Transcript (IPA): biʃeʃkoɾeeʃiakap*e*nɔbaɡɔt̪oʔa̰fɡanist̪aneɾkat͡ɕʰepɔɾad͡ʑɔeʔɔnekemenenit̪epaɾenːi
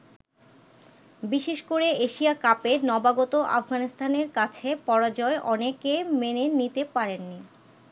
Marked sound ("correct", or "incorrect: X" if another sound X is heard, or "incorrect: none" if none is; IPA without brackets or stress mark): correct